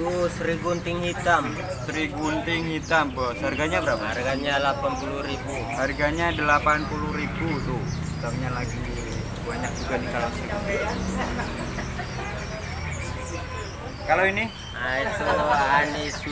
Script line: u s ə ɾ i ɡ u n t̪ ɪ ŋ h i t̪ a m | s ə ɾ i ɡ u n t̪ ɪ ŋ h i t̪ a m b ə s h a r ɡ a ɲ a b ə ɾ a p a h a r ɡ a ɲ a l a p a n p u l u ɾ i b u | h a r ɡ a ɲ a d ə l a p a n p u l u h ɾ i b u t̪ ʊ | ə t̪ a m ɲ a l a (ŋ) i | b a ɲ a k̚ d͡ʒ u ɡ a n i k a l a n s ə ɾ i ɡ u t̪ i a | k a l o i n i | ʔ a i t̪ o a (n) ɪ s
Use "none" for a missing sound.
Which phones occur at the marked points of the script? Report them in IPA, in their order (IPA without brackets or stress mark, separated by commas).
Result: ɡ, n